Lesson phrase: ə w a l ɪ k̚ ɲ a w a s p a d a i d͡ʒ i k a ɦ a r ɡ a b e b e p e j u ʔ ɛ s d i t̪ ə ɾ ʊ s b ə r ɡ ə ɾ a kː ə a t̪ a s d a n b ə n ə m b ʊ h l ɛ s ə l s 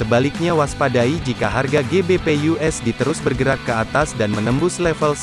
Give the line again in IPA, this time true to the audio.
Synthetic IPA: ə b a l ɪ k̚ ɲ a w a s p a d a i d͡ʒ i k a ɦ a r ɡ a ɡ e b e p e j u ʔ ɛ s d i t̪ ə ɾ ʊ s b ə r ɡ ə ɾ a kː ə a t̪ a s d a n m ə n ə m b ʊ s l ɛ f ə l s